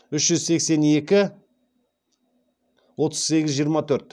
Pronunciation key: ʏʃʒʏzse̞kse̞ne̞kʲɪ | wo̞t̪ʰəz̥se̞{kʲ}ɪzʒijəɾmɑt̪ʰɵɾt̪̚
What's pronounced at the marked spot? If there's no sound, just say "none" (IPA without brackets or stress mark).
ɡʲ